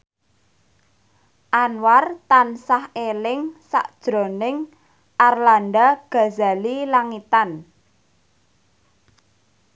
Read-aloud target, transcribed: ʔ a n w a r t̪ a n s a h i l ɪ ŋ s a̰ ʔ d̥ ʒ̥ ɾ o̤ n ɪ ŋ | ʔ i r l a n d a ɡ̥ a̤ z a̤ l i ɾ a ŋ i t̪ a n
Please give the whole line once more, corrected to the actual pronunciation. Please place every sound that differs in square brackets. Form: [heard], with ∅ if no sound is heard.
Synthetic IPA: ʔ a n w a r t̪ a n s a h [e] l ɪ ŋ s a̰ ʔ d̥ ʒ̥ ɾ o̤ n ɪ ŋ | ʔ [a] r l a n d a ɡ̥ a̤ z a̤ l i [l] a ŋ i t̪ a n